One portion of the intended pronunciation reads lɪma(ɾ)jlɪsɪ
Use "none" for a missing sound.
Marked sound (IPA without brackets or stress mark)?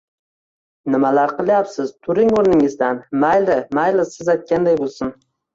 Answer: none